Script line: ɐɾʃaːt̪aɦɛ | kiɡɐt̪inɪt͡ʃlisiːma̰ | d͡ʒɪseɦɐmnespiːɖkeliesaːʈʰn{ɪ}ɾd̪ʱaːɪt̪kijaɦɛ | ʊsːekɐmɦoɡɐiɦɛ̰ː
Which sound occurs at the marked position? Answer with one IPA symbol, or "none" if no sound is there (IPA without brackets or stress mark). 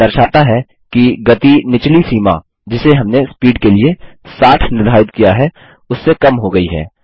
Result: ɪ